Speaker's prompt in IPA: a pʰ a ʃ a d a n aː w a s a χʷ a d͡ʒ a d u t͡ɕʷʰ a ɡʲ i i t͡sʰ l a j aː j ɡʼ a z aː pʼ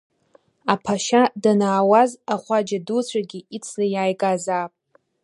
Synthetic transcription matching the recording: a pʰ a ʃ a d a n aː w a z a χʷ a d͡ʒ a d u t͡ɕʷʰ a ɡʲ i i t͡sʰ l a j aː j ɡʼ a z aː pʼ